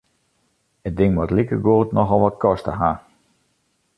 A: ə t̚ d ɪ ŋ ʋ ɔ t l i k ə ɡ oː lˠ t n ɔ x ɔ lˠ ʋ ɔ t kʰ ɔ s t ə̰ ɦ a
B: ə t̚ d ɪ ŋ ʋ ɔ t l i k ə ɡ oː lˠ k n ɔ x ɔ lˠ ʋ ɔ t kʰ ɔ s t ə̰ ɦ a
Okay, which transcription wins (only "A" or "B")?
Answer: A